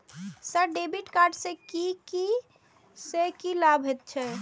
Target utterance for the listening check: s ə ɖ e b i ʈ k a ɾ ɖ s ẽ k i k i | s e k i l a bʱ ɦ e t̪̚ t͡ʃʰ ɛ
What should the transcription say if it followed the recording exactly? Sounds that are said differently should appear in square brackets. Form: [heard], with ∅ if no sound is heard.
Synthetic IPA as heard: s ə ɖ e b i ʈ k a ɾ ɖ s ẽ k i k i | s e k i l a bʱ ɦ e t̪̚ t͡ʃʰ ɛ